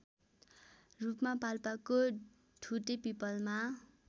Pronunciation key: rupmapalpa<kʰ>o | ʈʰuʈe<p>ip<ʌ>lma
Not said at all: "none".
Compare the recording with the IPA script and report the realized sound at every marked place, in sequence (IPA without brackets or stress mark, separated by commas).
k, p, ʌ